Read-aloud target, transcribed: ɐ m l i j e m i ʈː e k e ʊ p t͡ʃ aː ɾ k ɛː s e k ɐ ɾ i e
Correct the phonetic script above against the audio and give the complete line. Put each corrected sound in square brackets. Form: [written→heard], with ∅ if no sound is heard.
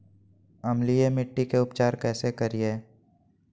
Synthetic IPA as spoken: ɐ m l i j e m [i→ɪ] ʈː [e→i] k e ʊ p t͡ʃ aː ɾ k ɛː s e k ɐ ɾ i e